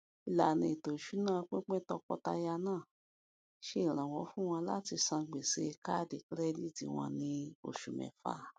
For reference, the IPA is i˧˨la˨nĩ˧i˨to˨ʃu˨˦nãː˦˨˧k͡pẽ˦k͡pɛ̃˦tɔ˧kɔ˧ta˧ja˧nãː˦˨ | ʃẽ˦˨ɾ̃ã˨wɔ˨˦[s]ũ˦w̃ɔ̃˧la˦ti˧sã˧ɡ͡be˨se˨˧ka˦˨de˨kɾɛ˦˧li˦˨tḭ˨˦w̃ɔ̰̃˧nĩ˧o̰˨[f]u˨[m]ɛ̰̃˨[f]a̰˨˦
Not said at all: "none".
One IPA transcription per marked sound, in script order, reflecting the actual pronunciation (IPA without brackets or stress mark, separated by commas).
f, ʃ, m, f